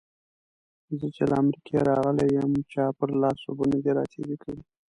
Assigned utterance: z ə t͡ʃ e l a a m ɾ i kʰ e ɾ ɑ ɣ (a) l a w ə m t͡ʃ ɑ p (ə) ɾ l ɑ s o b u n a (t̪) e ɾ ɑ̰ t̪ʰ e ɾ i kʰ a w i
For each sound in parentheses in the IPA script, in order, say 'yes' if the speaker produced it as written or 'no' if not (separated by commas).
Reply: no, yes, no